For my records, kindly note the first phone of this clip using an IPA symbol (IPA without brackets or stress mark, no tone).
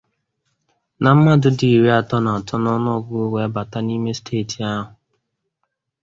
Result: n